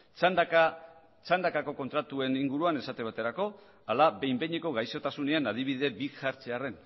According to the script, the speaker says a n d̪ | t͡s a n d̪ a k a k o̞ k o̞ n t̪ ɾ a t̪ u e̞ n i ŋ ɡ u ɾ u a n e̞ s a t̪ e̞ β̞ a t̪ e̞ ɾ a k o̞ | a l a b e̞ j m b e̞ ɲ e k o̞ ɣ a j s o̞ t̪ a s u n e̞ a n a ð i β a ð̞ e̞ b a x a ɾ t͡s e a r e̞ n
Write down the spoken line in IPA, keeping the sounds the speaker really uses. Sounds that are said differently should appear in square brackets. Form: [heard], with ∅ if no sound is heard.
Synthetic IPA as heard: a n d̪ | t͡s a n d̪ a k a k o̞ k o̞ n t̪ ɾ a t̪ u e̞ n i ŋ ɡ u ɾ u a n e̞ s a t̪ e̞ β̞ a t̪ e̞ ɾ a k o̞ | a l a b e̞ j m b e̞ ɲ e k o̞ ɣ a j s o̞ t̪ a s u n e̞ a n a ð i β [i] ð̞ e̞ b [i] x a ɾ t͡s e a r e̞ n